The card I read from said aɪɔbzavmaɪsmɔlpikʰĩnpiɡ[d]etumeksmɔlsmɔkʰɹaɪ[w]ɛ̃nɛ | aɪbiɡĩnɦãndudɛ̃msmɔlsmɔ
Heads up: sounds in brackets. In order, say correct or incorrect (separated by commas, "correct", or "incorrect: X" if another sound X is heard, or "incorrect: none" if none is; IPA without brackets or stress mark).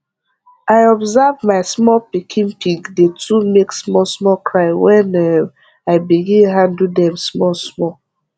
correct, correct